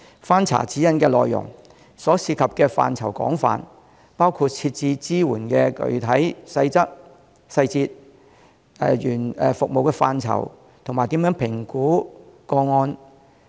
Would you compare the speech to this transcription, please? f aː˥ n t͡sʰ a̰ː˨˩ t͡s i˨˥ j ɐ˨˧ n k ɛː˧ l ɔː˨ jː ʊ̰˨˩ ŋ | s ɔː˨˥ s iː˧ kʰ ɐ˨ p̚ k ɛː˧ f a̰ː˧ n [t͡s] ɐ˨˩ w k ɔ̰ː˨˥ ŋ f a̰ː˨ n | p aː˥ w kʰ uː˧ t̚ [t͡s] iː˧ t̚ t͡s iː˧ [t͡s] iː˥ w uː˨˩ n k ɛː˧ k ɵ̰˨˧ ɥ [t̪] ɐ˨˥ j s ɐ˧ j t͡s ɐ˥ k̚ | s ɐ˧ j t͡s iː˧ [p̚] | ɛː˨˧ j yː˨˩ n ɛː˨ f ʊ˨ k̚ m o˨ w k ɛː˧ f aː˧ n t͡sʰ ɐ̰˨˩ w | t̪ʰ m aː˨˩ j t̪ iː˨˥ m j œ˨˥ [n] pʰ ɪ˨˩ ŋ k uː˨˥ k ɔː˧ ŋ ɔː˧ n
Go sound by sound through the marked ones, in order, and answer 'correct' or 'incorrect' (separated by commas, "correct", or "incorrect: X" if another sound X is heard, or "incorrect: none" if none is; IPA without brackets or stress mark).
incorrect: t͡sʰ, incorrect: t͡sʰ, correct, incorrect: t̪ʰ, incorrect: t̚, incorrect: ŋ